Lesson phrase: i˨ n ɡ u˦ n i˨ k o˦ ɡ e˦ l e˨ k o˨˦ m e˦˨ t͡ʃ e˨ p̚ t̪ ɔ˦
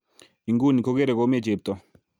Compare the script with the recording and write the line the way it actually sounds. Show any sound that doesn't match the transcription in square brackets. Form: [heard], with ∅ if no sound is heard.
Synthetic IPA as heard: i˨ [ŋ] ɡ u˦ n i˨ k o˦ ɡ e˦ [ɾ] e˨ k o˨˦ m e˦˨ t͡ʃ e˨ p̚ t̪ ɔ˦